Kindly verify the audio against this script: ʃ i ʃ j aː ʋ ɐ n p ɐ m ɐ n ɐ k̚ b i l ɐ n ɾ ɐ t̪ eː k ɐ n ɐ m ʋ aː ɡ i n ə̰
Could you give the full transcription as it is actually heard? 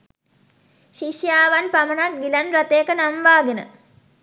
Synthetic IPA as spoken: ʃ i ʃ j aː ʋ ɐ n p ɐ m ɐ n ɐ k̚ ɡ i l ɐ n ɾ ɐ t̪ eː k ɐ n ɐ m ʋ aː ɡ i n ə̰